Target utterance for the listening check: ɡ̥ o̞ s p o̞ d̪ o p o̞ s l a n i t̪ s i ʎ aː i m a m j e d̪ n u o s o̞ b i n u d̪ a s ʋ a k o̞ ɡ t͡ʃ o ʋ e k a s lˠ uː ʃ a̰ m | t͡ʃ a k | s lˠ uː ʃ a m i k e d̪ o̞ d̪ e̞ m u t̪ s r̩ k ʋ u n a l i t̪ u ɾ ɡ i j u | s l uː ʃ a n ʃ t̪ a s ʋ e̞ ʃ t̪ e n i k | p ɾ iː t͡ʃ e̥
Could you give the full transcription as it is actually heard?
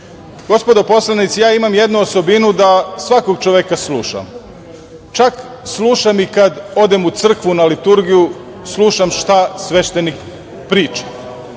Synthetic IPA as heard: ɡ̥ o̞ s p o̞ d̪ o p o̞ s l a n i t̪ s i j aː i m a m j e d̪ n u o s o̞ b i n u d̪ a s ʋ a k o̞ ɡ t͡ʃ o ʋ e k a s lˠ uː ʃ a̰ m | t͡ʃ a k | s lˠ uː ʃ a m i k a d̪ o̞ d̪ e̞ m u t̪ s r̩ k ʋ u n a l i t̪ u ɾ ɡ i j u | s l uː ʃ a m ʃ t̪ a s ʋ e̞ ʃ t̪ e n i k | p ɾ iː t͡ʃ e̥